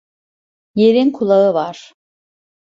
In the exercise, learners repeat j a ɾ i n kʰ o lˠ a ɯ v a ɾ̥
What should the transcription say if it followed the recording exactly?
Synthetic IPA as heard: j e ɾ i n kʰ u lˠ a ɯ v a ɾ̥